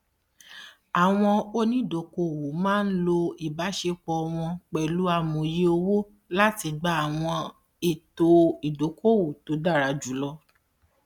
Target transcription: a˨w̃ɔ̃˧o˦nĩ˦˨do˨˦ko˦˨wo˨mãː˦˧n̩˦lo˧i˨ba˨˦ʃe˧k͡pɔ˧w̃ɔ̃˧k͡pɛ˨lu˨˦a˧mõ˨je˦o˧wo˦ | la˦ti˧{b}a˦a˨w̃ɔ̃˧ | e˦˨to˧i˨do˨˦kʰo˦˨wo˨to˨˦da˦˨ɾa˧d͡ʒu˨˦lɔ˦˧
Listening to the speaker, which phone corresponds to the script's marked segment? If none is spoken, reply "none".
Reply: ɡ͡b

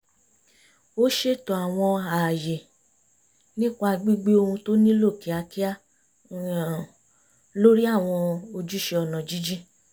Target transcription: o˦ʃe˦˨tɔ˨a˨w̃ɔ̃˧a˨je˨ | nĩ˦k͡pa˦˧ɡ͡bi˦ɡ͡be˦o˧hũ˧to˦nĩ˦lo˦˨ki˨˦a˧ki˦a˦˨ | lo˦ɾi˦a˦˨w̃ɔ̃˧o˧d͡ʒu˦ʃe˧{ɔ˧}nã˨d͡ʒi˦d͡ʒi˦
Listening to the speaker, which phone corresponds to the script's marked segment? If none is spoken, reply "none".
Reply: ɔ˧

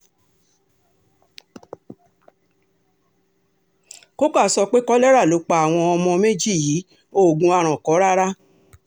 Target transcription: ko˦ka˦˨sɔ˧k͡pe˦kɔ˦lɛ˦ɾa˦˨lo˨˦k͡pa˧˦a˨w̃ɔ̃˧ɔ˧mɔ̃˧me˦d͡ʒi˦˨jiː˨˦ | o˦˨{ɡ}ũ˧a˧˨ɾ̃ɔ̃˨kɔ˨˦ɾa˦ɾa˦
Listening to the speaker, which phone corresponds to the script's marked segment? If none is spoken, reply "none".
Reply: ɡ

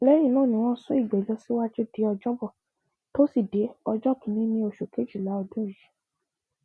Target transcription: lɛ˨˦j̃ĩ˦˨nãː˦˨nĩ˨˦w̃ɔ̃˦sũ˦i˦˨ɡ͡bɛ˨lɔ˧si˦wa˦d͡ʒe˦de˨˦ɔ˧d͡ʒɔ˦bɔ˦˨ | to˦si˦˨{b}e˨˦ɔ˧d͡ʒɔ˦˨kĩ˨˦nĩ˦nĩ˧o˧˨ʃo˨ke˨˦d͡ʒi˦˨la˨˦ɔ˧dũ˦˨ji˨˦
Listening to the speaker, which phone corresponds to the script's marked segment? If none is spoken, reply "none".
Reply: d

